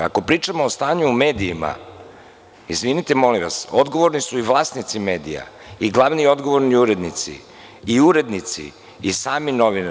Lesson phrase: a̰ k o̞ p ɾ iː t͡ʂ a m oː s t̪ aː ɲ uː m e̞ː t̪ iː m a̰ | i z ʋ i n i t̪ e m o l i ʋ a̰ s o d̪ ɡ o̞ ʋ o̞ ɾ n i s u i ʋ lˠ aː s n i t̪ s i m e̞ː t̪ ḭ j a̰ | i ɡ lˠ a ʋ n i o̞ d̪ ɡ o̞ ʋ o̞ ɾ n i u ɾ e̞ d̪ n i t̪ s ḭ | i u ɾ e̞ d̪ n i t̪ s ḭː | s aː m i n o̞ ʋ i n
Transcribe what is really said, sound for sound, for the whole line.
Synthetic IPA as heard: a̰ k o̞ p ɾ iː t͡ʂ a m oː s t̪ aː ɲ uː m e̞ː d̪ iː m a̰ | i z ʋ i n i t̪ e m o l i ʋ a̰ s o d̪ ɡ o̞ ʋ o̞ ɾ n i s u i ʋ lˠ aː s n i t̪ s i m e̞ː d̪ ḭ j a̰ | i ɡ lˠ a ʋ n i o̞ d̪ ɡ o̞ ʋ o̞ ɾ n i u ɾ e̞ d̪ n i t̪ s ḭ | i u ɾ e̞ d̪ n i t̪ s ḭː | s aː m i n o̞ ʋ i n